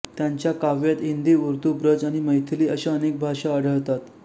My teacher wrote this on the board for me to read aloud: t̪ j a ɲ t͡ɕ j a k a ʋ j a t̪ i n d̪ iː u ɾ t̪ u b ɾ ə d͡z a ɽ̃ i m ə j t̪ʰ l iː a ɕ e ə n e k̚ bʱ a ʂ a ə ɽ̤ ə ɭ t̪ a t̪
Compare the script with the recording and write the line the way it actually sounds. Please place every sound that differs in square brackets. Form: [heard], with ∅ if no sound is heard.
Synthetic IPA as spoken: t̪ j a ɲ t͡ɕ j a k a ʋ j a t̪ i n d̪ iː u ɾ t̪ u b ɾ ə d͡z a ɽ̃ i m ə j t̪ʰ l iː [ə] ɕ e ə n e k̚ bʱ a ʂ a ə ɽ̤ ə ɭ t̪ a t̪